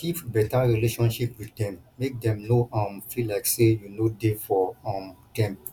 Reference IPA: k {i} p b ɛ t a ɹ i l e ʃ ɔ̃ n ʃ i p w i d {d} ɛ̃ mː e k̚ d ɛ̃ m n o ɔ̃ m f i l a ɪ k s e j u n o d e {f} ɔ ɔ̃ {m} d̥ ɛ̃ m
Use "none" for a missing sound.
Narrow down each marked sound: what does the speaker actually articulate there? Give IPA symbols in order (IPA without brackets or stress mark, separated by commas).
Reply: i, d, f, m